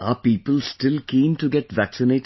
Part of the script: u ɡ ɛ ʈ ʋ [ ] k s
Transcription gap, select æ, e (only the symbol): æ